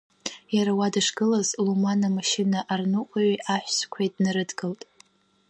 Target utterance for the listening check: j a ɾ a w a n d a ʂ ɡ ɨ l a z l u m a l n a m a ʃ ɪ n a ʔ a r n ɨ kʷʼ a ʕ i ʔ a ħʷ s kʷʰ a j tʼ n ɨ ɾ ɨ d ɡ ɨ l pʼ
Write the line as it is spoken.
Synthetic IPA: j a ɾ a w a d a ʂ ɡ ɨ l a z l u m a n a m a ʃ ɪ n a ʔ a r n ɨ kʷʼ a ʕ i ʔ a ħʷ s kʷʰ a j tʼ n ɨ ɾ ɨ d ɡ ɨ l tʼ